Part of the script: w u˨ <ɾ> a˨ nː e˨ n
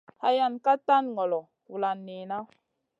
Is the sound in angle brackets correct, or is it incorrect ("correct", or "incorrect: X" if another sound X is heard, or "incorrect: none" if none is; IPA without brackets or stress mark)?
incorrect: l